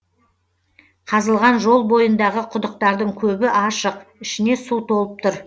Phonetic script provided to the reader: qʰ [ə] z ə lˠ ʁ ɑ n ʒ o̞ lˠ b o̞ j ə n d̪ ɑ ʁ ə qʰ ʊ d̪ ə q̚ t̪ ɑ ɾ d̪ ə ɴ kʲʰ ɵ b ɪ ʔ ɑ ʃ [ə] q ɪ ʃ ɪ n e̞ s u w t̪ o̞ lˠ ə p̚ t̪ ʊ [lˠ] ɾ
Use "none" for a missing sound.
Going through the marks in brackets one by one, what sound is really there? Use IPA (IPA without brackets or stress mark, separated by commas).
ɑ, ə, none